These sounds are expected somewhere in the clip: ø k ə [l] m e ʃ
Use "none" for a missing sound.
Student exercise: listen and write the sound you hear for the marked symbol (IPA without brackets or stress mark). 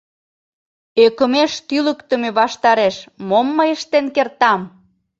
none